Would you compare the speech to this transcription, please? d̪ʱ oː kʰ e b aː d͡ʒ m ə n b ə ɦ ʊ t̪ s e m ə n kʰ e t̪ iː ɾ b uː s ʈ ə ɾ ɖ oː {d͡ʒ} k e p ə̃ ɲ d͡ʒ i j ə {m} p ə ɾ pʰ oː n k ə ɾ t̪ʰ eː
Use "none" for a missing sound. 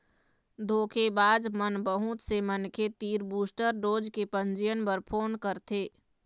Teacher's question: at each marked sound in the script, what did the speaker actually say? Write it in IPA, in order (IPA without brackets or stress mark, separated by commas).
d͡ʒ, n